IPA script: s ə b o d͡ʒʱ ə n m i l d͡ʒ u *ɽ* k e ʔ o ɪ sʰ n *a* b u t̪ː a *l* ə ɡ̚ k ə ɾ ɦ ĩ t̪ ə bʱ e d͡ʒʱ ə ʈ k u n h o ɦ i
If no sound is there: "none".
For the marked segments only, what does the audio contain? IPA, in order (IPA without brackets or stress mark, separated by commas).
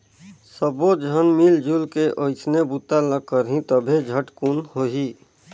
l, e, l